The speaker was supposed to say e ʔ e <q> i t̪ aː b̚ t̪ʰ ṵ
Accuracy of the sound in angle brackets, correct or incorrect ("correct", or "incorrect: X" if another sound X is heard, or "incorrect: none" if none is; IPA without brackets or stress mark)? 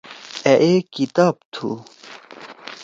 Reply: incorrect: k